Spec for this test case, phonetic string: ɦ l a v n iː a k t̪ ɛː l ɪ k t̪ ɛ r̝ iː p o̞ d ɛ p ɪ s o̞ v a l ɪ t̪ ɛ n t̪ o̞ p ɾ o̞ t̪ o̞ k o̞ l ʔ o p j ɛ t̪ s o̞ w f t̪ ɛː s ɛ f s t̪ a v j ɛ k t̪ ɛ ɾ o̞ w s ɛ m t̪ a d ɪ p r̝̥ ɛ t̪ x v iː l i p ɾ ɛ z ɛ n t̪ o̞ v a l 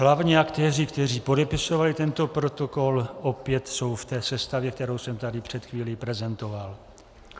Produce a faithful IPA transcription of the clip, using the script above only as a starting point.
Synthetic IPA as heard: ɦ l a v ɲ iː a k t̪ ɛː r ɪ k t̪ ɛ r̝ iː p o̞ d ɛ p ɪ s o̞ v a l ɪ t̪ ɛ n t̪ o̞ p ɾ o̞ t̪ o̞ k o̞ l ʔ o p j ɛ t̪ s o̞ w f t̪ ɛː s ɛ s t̪ a v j ɛ k t̪ ɛ ɾ o̞ w s ɛ m t̪ a d ɪ p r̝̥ ɛ t̪ x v iː l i p ɾ ɛ z ɛ n t̪ o̞ v a l